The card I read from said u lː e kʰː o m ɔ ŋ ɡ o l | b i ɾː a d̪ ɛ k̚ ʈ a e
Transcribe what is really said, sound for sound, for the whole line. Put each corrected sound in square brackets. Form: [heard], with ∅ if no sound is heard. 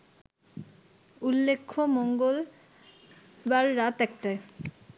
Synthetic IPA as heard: u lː e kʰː o m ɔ ŋ ɡ o l | b [a] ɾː a [t̪] ɛ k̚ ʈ a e